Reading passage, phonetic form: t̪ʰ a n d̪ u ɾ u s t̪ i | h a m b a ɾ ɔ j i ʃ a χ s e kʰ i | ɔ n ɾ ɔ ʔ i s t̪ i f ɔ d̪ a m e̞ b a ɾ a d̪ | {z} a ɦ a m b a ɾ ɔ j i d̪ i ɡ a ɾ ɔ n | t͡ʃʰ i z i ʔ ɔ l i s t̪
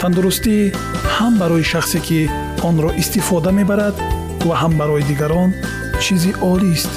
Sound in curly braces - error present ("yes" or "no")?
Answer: yes